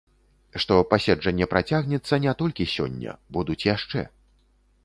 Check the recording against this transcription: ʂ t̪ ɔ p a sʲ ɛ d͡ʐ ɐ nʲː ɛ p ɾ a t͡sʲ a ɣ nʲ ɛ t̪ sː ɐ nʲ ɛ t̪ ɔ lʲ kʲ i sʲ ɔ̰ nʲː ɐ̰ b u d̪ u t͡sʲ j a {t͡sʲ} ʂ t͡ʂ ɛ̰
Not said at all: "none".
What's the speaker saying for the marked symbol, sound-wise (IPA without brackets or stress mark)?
none